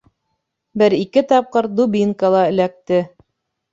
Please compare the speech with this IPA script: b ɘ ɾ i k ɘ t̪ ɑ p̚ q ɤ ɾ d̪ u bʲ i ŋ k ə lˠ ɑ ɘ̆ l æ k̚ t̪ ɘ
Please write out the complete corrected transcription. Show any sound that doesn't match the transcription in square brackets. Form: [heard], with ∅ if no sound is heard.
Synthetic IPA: b ɘ ɾ i k ɘ t̪ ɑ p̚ q ɤ ɾ d̪ u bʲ i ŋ k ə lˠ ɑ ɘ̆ l æ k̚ t̪ ɘ